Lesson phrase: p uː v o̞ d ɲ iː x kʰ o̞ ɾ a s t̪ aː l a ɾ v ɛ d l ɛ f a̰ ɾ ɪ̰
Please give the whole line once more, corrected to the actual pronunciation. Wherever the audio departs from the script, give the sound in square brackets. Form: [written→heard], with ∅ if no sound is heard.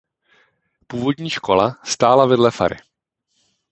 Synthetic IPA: p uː v o̞ d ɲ iː [x→ʃ] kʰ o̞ [ɾ→l] a s t̪ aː l a [ɾ→∅] v ɛ d l ɛ f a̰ ɾ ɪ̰